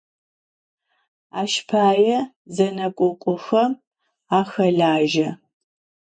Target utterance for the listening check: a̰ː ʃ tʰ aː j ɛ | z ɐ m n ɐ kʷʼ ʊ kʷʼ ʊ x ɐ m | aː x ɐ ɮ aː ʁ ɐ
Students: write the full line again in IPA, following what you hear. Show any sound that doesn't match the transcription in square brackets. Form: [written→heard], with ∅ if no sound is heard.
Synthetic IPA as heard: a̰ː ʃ [tʰ→pʰ] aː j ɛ | z ɐ [m→∅] n ɐ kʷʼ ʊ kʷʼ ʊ x ɐ m | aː x ɐ ɮ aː [ʁ→ʒ] ɐ